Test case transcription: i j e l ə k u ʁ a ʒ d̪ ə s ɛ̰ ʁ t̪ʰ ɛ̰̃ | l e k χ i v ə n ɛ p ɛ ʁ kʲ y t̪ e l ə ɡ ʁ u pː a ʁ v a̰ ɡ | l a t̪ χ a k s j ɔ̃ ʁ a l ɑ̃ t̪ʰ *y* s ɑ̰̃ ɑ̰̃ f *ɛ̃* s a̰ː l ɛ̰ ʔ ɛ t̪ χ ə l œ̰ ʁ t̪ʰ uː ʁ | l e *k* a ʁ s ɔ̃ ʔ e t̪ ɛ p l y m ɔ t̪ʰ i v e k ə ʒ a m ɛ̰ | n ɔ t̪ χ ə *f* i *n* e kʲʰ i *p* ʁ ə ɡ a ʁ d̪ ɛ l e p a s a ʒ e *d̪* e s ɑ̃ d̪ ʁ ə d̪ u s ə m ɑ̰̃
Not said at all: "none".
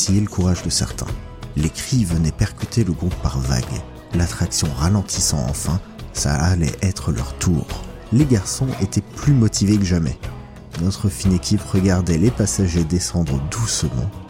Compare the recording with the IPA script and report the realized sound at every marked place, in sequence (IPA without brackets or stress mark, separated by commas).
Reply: i, ɛ̃, ɡ, f, n, p, d̪